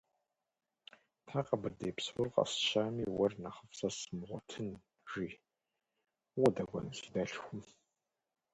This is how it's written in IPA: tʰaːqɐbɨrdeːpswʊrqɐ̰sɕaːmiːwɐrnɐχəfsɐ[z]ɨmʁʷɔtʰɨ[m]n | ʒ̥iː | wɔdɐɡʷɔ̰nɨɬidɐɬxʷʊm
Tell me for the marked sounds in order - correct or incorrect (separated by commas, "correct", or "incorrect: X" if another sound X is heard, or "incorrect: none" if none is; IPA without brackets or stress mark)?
incorrect: s, incorrect: none